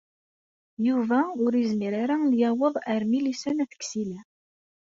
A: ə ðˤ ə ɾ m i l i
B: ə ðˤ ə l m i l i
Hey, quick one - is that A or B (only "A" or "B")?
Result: A